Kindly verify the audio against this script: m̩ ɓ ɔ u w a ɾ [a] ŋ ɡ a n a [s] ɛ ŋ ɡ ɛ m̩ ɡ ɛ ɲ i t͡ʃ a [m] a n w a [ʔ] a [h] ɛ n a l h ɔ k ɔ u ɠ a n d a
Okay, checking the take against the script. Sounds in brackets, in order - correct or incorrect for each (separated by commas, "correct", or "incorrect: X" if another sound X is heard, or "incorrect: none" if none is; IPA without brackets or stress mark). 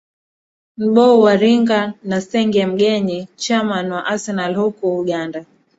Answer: incorrect: i, correct, correct, correct, incorrect: s